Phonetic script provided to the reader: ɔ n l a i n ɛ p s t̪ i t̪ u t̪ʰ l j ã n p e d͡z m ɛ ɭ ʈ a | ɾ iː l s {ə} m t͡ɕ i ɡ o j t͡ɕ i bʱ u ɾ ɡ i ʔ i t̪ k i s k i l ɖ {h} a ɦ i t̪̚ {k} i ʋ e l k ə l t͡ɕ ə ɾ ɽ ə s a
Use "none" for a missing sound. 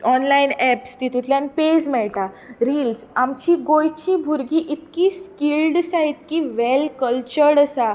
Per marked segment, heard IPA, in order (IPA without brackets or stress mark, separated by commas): a, s, k